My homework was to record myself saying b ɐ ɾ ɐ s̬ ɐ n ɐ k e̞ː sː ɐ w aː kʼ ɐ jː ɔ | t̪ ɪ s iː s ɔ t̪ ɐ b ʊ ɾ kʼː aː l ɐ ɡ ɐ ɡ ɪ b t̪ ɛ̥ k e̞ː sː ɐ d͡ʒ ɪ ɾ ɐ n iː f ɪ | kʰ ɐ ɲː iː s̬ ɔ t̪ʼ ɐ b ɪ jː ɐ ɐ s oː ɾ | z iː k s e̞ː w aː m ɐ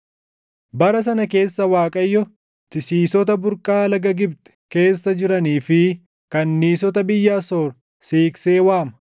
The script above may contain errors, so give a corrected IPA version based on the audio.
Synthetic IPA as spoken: b ɐ ɾ ɐ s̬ ɐ n ɐ k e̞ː sː ɐ w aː kʼ ɐ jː ɔ | t̪ ɪ s iː s ɔ t̪ ɐ b ʊ ɾ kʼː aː l ɐ ɡ ɐ ɡ ɪ b t̪ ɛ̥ k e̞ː sː ɐ d͡ʒ ɪ ɾ ɐ n iː f ɪ | k ɐ nː iː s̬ ɔ t̪ ɐ b ɪ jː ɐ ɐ s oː ɾ | s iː k s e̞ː w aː m ɐ